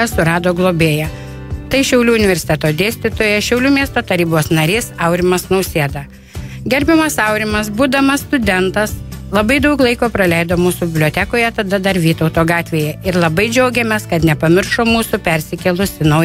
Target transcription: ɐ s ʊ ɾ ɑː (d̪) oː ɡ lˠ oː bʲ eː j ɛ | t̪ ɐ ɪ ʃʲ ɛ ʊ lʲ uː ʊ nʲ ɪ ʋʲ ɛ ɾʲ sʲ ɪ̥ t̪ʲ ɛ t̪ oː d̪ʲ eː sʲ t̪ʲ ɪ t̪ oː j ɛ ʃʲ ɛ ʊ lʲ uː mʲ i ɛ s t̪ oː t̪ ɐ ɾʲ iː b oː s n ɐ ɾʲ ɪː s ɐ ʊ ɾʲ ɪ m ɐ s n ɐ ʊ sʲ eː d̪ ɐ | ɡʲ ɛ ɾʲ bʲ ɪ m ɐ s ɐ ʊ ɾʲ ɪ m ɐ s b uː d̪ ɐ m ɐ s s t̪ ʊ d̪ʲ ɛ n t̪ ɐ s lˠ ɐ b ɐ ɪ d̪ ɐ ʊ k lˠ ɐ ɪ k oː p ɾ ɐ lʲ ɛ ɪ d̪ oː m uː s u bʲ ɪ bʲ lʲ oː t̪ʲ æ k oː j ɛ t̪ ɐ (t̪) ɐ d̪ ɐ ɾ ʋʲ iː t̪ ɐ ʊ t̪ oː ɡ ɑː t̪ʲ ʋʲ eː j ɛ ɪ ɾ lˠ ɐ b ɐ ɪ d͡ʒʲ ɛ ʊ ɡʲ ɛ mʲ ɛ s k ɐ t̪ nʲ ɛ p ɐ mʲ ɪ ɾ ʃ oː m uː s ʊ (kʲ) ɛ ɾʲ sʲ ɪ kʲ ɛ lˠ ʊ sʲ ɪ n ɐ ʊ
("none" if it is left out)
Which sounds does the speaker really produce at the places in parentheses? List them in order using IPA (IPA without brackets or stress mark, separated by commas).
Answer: d̪, d̪, pʲ